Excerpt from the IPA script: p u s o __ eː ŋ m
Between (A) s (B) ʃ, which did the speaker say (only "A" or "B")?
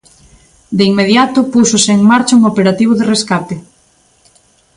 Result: A